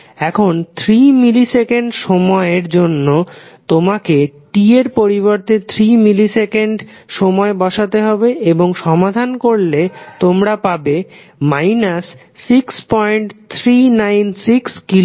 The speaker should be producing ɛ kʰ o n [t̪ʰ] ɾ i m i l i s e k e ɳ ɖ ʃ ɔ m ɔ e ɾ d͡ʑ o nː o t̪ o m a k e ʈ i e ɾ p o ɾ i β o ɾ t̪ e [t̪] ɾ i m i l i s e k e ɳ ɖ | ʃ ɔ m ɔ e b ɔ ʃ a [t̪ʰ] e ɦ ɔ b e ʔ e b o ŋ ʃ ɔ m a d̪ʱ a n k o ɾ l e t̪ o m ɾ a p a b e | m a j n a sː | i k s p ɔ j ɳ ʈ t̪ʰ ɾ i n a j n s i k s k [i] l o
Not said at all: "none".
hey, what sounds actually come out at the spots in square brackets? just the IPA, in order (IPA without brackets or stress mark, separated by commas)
t̪ʰ, t̪ʰ, t̪, i